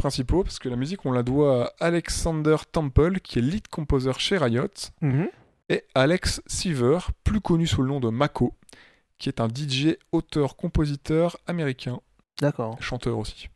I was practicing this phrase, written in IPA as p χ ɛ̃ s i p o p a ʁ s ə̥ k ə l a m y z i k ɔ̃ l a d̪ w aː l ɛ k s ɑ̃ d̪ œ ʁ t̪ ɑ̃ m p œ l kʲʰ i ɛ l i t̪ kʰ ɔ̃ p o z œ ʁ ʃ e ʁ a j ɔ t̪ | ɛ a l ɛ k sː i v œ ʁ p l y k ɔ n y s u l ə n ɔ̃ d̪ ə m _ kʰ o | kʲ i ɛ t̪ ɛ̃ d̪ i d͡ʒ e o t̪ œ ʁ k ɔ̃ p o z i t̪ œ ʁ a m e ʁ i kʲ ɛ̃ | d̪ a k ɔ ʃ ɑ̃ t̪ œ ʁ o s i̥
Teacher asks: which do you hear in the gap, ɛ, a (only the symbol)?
a